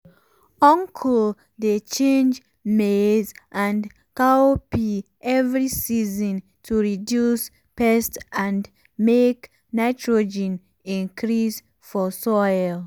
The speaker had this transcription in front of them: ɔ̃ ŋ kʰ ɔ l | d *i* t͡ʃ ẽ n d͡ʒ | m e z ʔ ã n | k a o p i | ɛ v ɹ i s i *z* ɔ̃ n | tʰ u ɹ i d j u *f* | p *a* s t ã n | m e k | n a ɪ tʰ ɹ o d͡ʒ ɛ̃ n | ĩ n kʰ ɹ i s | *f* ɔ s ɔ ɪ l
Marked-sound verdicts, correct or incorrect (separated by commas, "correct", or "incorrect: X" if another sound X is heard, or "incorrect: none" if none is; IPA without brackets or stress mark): incorrect: e, correct, incorrect: s, incorrect: ɛ, correct